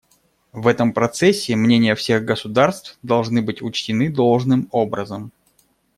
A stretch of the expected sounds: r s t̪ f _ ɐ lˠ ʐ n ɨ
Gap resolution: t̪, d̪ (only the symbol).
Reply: d̪